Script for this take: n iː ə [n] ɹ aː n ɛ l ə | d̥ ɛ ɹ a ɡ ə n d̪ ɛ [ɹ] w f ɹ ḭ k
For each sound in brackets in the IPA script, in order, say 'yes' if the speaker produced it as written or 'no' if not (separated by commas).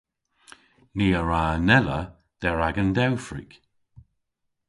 no, no